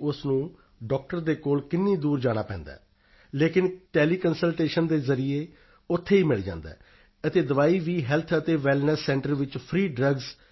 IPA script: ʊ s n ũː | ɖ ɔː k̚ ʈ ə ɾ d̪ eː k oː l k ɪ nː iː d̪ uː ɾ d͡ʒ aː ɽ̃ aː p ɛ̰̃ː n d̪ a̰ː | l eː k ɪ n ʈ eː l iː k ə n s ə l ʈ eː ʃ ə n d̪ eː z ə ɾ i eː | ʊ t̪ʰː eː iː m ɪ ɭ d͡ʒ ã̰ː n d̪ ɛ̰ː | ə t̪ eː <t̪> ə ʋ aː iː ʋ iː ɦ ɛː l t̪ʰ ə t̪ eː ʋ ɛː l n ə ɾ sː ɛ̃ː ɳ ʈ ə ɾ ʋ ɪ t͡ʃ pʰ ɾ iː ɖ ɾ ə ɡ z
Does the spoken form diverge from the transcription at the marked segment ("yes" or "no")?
yes